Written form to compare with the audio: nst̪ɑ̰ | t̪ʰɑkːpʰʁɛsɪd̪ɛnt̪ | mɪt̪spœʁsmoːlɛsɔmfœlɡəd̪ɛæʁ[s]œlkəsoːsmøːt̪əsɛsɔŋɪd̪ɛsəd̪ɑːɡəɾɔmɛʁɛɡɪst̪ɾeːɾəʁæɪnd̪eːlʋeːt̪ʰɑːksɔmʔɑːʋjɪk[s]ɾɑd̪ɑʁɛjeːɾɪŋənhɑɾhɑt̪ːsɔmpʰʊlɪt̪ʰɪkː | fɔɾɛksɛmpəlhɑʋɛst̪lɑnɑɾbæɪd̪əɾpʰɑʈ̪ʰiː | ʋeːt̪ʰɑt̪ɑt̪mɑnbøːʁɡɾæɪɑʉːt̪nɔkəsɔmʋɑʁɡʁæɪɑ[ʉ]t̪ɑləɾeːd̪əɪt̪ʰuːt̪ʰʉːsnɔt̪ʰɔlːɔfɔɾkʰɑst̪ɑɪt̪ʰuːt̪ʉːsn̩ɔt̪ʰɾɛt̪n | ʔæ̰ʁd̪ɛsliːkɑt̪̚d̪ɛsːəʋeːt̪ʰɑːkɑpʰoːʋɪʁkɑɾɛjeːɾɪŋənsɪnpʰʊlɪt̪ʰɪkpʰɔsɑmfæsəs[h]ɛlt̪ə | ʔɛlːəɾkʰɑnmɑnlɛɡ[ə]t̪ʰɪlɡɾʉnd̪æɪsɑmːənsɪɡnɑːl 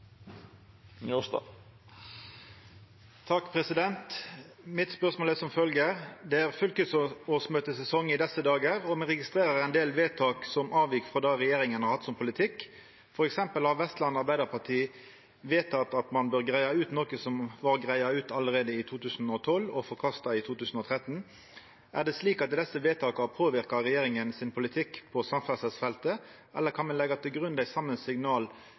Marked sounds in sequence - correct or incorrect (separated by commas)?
incorrect, incorrect, incorrect, incorrect, incorrect